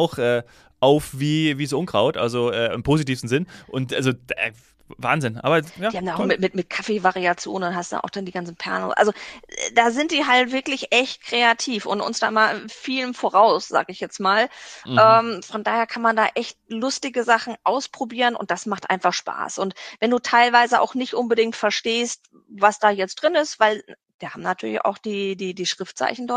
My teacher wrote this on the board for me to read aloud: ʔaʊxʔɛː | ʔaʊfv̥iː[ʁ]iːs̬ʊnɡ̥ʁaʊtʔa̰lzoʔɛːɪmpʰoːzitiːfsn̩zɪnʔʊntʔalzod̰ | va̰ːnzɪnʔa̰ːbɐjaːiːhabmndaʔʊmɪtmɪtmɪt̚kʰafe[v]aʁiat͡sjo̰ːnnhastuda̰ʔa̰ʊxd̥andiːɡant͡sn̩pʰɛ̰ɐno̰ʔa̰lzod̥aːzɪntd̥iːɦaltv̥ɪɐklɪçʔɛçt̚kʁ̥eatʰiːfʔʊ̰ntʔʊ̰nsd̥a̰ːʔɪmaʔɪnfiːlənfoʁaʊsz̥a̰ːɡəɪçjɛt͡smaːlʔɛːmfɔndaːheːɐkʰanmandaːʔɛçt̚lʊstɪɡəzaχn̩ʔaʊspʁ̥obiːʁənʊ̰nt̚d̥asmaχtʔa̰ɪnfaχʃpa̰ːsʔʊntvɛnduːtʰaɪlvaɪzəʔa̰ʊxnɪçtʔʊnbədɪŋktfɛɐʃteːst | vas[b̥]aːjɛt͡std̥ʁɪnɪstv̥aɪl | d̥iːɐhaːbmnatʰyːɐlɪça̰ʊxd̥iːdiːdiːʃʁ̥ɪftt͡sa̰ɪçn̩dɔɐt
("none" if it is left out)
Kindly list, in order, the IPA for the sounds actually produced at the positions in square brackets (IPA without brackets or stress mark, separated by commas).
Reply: v, v, d̥